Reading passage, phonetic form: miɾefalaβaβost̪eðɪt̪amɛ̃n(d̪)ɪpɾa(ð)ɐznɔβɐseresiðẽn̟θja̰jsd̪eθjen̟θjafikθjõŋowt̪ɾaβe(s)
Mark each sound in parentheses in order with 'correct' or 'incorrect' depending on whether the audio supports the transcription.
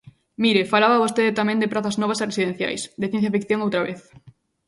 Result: correct, incorrect: θ, incorrect: θ

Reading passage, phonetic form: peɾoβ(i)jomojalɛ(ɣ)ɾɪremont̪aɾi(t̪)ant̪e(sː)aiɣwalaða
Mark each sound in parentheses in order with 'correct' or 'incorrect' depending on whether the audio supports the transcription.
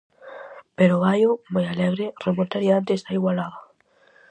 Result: incorrect: a, correct, incorrect: none, incorrect: s

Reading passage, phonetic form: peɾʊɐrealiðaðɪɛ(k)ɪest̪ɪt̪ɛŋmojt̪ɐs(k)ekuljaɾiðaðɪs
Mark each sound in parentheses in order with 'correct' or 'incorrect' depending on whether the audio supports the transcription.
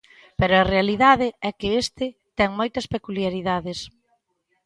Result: correct, incorrect: p

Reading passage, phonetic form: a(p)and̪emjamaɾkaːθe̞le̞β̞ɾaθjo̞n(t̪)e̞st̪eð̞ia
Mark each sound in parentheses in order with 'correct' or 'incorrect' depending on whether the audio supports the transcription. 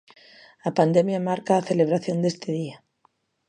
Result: correct, incorrect: d̪

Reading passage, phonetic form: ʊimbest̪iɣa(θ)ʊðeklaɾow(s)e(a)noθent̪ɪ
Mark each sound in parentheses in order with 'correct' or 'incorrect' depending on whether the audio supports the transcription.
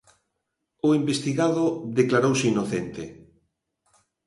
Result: incorrect: ð, correct, incorrect: i

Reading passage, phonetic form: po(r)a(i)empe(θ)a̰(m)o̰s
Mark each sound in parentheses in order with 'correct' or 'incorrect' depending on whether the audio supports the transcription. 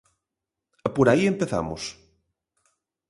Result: incorrect: ɾ, correct, correct, correct

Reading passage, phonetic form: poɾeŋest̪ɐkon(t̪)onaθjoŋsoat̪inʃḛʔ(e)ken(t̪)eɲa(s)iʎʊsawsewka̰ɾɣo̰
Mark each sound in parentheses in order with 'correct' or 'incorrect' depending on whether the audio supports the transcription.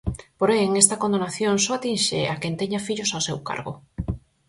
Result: incorrect: d̪, incorrect: a, correct, incorrect: f

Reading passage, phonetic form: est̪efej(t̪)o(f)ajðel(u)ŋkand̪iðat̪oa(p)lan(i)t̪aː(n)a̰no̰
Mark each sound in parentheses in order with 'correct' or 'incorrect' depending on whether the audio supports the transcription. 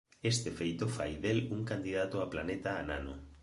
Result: correct, correct, correct, correct, incorrect: e, correct

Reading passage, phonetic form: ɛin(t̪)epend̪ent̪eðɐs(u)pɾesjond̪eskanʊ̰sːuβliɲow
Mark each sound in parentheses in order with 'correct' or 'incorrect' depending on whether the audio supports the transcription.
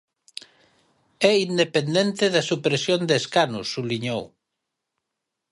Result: incorrect: d̪, correct

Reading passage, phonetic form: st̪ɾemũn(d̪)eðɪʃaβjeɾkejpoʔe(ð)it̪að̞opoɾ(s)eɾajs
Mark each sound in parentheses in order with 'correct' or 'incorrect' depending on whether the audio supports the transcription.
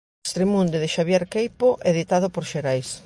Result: correct, correct, incorrect: ʃ

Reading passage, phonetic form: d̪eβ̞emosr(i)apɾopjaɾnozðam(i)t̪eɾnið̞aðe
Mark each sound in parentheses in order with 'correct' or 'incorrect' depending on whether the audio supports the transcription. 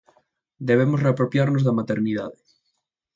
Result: incorrect: e, incorrect: a

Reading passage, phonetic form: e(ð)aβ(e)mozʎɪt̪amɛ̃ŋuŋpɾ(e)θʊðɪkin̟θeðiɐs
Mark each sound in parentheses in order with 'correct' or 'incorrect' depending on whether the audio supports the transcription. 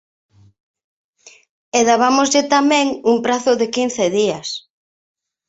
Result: correct, incorrect: a, incorrect: a

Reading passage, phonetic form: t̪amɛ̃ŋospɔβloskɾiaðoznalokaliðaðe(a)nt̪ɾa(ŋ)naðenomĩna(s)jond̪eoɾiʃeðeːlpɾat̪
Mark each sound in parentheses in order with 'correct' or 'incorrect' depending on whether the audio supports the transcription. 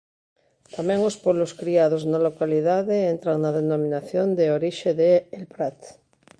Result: incorrect: e, correct, incorrect: θ

